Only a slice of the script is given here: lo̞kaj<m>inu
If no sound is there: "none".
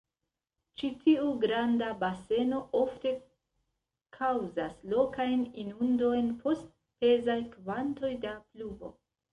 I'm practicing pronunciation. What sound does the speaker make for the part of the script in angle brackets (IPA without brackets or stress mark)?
n